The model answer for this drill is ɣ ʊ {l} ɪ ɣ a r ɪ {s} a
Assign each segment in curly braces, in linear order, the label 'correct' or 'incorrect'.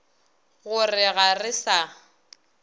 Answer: incorrect: r, correct

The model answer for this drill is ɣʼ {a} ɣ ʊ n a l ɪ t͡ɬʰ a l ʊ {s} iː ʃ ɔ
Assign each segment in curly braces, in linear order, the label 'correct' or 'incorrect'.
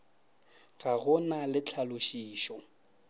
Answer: correct, incorrect: ʃ

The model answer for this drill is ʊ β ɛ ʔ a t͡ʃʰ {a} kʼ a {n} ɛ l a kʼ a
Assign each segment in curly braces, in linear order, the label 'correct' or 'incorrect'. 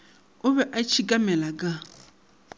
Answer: incorrect: i, incorrect: m

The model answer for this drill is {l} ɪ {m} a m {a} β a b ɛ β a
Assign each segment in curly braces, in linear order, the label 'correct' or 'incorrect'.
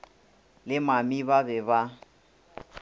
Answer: correct, correct, incorrect: i

